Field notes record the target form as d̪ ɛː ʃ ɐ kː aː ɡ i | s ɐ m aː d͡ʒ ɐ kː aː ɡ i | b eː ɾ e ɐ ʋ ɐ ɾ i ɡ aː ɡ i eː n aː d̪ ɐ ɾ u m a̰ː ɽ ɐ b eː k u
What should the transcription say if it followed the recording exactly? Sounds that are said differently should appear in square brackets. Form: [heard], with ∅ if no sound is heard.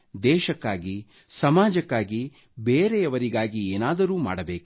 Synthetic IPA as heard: d̪ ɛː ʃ ɐ kː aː ɡ i | s ɐ m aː d͡ʒ ɐ kː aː ɡ i | b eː ɾ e ɐ ʋ ɐ ɾ i ɡ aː ɡ i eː n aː d̪ ɐ ɾ [uː] m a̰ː ɽ ɐ b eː k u